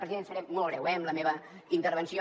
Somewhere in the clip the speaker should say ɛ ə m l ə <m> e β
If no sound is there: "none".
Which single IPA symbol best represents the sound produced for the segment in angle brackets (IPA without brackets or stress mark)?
m